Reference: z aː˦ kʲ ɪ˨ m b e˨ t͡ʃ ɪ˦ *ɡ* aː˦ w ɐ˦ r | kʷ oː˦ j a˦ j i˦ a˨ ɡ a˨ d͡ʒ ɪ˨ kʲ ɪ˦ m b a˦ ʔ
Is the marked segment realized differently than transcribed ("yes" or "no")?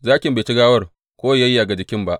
no